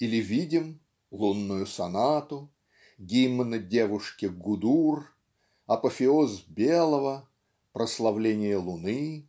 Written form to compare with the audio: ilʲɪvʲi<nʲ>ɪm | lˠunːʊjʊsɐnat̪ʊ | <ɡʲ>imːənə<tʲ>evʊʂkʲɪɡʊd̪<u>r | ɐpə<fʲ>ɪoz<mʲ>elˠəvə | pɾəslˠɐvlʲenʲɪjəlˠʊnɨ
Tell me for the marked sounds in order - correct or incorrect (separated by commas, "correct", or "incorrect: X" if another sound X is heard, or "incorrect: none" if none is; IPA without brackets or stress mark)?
incorrect: dʲ, correct, incorrect: dʲ, correct, correct, incorrect: bʲ